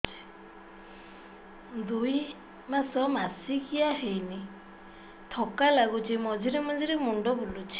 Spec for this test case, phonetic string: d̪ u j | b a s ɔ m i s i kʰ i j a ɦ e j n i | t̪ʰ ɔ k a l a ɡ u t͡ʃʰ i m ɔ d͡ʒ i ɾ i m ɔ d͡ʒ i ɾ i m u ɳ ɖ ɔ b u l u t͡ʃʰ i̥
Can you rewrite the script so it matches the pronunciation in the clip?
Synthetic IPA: d̪ u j | m a s ɔ m a s i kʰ i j a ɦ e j n i | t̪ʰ ɔ k a l a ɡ u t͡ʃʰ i m ɔ d͡ʒ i ɾ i m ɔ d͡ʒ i ɾ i m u ɳ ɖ ɔ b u l u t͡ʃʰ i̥

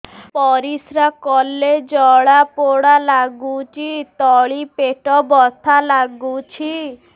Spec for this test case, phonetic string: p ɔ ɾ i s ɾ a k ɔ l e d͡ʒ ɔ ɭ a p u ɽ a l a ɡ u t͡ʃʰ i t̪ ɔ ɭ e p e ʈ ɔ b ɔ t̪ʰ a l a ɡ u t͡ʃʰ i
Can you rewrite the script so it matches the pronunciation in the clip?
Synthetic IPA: p ɔ ɾ i s ɾ a k ɔ l e d͡ʒ ɔ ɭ a p o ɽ a l a ɡ u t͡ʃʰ i t̪ ɔ ɭ i p e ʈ ɔ b ɔ t̪ʰ a l a ɡ u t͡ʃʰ i

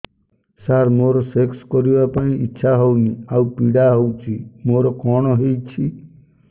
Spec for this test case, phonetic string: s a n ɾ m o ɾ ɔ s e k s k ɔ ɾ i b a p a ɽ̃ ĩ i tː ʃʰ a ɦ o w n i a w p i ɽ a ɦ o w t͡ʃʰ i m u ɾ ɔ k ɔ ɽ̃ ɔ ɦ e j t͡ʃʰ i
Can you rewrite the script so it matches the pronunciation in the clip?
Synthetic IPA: s a ɾ m o ɾ ɔ s e k s k ɔ ɾ i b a p a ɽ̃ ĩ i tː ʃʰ a ɦ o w n i a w p i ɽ a ɦ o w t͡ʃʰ i m o ɾ ɔ k ɔ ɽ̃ ɔ ɦ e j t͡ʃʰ i

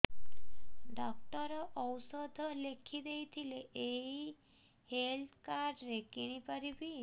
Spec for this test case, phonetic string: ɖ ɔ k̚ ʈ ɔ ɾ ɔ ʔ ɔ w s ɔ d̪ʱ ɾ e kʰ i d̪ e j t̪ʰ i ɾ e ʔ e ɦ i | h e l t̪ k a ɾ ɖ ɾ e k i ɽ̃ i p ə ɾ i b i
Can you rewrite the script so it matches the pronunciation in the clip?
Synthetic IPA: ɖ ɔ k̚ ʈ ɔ ɾ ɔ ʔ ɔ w s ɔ d̪ʱ l e kʰ i d̪ e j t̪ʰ i l e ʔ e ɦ i | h e l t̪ k a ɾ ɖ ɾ e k i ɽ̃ i p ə ɾ i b i

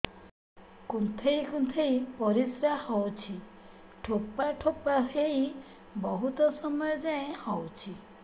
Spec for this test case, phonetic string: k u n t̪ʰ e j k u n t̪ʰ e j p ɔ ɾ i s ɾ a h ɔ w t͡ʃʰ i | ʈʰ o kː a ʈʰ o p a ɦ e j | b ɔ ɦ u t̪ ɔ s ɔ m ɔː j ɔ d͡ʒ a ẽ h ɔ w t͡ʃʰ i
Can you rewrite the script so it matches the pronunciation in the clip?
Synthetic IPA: k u n t̪ʰ e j k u n t̪ʰ e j p ɔ ɾ i s ɾ a h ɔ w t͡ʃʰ i | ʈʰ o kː a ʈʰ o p a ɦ e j | b ɔ ɦ u t̪ ɔ s ɔ m ɔ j ɔ d͡ʒ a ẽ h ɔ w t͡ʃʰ i

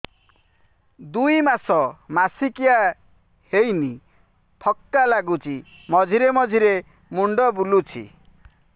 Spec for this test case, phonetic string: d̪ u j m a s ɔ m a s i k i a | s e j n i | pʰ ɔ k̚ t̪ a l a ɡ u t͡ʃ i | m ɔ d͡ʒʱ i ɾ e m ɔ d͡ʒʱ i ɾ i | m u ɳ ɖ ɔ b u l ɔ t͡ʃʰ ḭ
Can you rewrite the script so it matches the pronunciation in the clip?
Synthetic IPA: d̪ u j m a s ɔ m a s i k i a | h e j n i | pʰ ɔ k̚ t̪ a l a ɡ u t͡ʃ i | m ɔ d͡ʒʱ i ɾ e m ɔ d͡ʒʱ i ɾ e | m u ɳ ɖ ɔ b u l u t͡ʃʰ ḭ

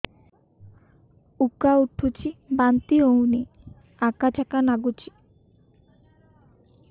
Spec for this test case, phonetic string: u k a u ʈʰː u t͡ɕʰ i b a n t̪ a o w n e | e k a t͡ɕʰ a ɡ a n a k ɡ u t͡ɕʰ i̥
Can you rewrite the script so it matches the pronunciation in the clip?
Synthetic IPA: u k a u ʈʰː u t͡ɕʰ i b a n t̪ i o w n e | a k a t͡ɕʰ a k a n a ɡ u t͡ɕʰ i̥

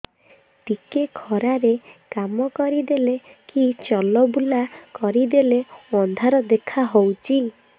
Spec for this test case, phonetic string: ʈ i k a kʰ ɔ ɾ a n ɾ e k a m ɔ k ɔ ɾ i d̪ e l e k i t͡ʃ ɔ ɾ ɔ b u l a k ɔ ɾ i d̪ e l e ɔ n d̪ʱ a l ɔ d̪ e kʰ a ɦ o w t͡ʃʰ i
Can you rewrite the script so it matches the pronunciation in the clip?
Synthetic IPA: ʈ i k e kʰ ɔ ɾ a ɾ e k a m ɔ k ɔ ɾ i d̪ e l e k i t͡ʃ ɔ l ɔ b u l a k ɔ ɾ i d̪ e l e ɔ n d̪ʱ a ɾ ɔ d̪ e kʰ a ɦ o w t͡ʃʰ i

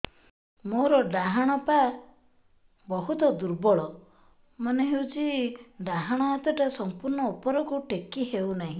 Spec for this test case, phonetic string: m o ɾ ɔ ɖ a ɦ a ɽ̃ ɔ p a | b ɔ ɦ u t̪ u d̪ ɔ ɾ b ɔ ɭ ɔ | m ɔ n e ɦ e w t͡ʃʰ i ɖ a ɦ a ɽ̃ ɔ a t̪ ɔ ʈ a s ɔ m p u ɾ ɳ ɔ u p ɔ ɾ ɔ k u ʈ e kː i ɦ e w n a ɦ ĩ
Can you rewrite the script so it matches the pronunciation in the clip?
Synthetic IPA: m o ɾ ɔ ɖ a ɦ a ɽ̃ ɔ p a | b ɔ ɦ u t̪ ɔ d̪ u ɾ b ɔ ɭ ɔ | m ɔ n e ɦ e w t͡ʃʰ i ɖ a ɦ a ɽ̃ ɔ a t̪ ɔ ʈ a s ɔ m p u ɾ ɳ ɔ u p ɔ ɾ ɔ k u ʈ e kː i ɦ e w n a ɦ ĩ

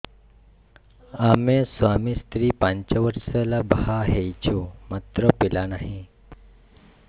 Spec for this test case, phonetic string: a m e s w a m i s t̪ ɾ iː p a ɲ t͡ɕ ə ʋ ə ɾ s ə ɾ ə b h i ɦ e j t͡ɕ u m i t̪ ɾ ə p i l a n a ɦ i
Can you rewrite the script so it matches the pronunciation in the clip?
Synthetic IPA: a m e s ʋ a m i s t̪ ɾ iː p a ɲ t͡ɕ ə ʋ ə ɾ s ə l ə b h a ɦ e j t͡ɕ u m a t̪ ɾ ə p i l a n a ɦ i

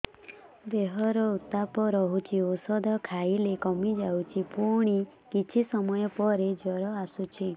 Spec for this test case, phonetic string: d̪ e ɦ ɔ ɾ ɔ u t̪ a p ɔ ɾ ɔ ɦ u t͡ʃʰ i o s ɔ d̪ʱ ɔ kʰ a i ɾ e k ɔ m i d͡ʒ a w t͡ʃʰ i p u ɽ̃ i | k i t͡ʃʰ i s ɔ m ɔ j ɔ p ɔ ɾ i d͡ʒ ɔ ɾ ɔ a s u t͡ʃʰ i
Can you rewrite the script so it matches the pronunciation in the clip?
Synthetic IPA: d̪ e ɦ ɔ ɾ ɔ u t̪ a p ɔ ɾ ɔ ɦ u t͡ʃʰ i o s ɔ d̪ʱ ɔ kʰ a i l e k ɔ m i d͡ʒ a w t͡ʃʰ i p u ɽ̃ i | k i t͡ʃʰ i s ɔ m ɔ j ɔ p ɔ ɾ e d͡ʒ ɔ ɾ ɔ a s u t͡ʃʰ i

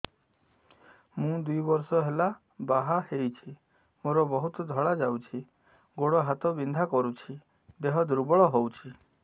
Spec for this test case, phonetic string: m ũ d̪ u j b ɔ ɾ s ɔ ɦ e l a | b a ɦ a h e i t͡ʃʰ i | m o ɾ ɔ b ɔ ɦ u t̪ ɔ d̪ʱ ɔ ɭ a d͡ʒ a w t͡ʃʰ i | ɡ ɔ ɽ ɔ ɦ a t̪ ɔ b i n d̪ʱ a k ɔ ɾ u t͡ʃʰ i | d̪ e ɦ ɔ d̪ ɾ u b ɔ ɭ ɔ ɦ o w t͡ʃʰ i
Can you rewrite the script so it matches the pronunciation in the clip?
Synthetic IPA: m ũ d̪ u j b ɔ ɾ s ɔ ɦ e l a | b a ɦ a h e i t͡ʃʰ i | m o ɾ ɔ b ɔ ɦ u t̪ ɔ d̪ʱ ɔ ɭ a d͡ʒ a w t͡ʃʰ i | ɡ o ɽ ɔ ɦ a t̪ ɔ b i n d̪ʱ a k ɔ ɾ u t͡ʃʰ i | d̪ e ɦ ɔ d̪ ɾ u b ɔ ɭ ɔ ɦ o w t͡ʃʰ i

